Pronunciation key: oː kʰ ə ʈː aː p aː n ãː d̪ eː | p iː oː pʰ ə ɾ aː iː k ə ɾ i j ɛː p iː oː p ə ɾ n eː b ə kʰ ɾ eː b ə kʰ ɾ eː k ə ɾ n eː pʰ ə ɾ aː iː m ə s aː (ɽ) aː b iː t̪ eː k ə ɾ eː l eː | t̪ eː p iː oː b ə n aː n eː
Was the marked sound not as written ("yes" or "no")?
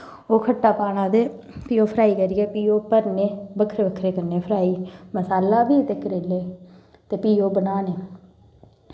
yes